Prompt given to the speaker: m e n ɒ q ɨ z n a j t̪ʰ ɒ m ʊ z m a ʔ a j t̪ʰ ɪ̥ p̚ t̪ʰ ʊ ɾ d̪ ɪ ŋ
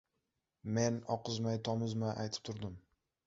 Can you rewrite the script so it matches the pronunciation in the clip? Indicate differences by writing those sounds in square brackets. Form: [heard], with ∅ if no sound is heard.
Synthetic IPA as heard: m e n ɒ q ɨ z [m] a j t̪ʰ ɒ m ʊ z m a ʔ a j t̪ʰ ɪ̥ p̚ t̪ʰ ʊ ɾ d̪ ɪ [m]